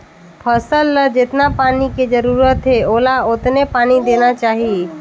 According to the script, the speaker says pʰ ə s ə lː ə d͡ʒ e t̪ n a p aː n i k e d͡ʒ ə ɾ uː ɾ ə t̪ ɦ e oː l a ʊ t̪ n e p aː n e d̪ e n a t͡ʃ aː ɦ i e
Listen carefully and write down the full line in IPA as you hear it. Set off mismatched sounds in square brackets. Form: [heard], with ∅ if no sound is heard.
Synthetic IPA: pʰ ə s ə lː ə d͡ʒ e t̪ n a p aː n i k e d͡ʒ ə ɾ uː ɾ ə t̪ ɦ e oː l a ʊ t̪ n e p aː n [i] d̪ e n a t͡ʃ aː ɦ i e